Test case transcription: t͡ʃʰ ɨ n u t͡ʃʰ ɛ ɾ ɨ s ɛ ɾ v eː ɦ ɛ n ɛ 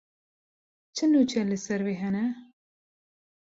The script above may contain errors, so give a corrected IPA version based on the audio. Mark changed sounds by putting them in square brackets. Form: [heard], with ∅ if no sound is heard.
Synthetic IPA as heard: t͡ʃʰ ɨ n u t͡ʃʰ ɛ [l] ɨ s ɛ ɾ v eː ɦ ɛ n ɛ